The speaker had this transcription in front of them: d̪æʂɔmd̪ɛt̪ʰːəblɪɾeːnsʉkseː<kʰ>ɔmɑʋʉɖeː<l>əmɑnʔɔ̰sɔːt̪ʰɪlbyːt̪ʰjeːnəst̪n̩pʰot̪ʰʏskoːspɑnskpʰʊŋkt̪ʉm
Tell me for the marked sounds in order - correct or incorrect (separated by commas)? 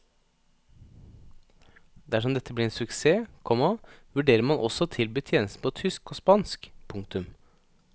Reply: correct, incorrect